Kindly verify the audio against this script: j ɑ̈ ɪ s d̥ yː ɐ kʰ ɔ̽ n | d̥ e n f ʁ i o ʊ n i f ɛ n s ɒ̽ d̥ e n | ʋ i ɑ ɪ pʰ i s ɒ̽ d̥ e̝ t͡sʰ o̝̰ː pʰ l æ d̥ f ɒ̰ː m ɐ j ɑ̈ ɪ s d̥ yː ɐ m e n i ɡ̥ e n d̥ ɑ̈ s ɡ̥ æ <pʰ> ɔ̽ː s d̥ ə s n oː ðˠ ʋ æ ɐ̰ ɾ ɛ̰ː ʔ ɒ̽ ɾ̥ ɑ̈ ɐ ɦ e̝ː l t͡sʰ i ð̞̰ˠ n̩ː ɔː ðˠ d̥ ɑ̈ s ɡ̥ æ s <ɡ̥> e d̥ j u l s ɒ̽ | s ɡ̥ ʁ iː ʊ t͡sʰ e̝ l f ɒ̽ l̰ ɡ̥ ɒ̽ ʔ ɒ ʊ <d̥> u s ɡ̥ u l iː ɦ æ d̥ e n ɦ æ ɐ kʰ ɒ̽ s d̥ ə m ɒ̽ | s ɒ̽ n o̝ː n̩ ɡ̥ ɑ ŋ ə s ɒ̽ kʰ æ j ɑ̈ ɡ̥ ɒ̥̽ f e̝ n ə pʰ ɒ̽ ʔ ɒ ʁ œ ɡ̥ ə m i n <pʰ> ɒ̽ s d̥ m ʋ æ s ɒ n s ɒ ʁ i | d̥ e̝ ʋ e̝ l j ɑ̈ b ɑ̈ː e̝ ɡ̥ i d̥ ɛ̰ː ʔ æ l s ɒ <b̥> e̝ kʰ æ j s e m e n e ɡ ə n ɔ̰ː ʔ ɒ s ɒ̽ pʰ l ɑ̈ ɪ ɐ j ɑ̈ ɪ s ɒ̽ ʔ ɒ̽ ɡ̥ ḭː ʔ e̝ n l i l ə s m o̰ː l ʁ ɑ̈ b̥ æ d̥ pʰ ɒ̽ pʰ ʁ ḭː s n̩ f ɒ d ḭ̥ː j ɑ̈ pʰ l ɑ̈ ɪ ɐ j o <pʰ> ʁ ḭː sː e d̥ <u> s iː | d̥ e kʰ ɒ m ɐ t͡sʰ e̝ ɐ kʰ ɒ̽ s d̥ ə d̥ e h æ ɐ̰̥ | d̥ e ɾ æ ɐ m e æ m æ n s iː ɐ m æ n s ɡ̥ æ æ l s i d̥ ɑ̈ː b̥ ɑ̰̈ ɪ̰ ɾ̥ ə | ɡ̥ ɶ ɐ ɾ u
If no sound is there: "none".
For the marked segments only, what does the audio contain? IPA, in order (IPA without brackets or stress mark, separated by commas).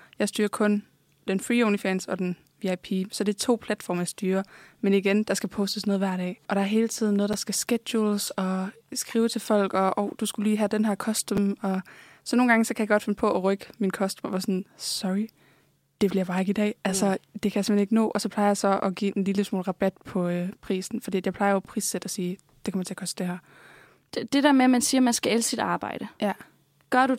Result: pʰ, ɡ̥, d̥, kʰ, d̥, pʰ, ɒ